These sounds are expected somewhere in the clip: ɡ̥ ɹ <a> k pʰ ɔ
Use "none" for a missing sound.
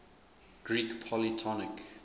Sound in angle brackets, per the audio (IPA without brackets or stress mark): i